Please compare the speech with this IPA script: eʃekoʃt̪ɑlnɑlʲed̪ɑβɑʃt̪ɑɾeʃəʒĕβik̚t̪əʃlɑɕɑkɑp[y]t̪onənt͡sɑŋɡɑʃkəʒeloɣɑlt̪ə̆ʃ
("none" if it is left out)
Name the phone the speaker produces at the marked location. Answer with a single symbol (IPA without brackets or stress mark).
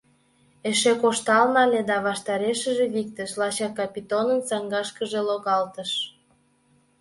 i